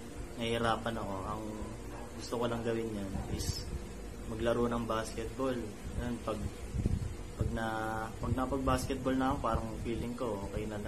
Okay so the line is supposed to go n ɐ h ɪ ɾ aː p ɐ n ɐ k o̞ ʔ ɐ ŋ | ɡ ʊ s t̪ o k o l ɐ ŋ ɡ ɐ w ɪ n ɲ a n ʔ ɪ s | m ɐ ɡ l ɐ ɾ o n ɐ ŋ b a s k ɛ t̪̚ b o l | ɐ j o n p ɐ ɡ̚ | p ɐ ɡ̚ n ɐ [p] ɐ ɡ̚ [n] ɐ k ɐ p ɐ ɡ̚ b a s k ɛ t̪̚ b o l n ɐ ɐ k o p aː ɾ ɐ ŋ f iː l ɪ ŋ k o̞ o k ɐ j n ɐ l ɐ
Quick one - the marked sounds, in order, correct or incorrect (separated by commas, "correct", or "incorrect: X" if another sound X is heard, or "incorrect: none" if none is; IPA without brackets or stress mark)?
correct, correct